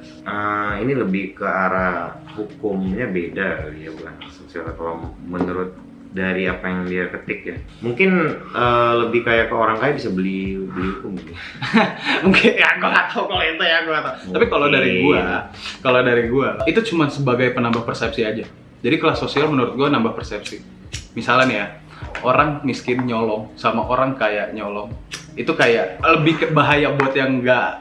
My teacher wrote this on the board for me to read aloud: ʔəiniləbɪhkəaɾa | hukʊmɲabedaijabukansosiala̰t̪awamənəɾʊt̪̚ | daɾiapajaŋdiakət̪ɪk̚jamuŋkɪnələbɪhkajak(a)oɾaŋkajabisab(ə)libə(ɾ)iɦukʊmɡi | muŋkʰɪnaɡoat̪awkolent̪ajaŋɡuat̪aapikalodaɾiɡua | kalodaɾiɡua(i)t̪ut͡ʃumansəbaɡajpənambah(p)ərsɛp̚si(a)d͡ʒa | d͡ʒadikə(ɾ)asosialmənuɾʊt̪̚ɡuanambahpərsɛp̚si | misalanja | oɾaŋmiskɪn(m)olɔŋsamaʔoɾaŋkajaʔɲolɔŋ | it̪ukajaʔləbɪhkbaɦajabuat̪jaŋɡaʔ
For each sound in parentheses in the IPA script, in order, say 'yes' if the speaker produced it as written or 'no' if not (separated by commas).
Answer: no, yes, no, yes, yes, yes, no, no